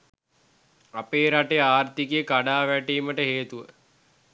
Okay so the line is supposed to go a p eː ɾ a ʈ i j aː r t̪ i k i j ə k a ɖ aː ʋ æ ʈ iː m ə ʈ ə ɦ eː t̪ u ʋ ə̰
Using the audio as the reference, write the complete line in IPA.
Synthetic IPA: a p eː ɾ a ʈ e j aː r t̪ i k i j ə k a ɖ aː ʋ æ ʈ iː m ə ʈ ə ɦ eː t̪ u ʋ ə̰